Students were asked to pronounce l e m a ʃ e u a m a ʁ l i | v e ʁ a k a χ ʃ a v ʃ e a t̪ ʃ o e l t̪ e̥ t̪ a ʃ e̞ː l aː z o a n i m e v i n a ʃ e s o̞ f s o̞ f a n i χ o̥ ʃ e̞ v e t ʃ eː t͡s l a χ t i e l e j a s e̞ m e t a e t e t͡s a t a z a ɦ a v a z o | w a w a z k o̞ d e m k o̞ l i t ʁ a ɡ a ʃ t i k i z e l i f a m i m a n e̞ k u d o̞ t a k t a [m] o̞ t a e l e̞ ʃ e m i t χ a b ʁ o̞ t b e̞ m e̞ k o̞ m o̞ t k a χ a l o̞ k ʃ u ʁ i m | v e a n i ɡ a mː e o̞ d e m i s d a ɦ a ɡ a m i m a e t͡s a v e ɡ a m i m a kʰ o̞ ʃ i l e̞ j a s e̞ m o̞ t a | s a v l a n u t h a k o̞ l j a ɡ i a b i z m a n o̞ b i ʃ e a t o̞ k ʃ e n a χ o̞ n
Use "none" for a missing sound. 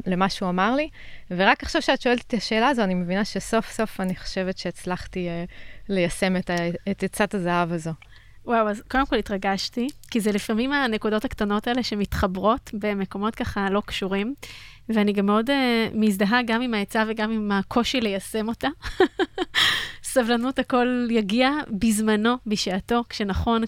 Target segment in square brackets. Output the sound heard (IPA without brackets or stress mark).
n